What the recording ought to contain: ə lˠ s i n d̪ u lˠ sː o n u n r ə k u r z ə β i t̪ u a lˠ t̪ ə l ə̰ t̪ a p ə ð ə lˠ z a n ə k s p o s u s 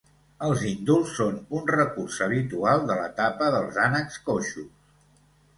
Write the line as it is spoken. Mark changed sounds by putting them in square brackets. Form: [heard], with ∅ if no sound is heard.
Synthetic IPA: ə lˠ [z] i n d̪ u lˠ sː o n u n r ə k u r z ə β i t̪ u a lˠ [d̪] ə l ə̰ t̪ a p ə ð ə lˠ z a n ə k s [k] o [ʃ] u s